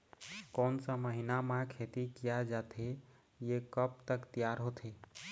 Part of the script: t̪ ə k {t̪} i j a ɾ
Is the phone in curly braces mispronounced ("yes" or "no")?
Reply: no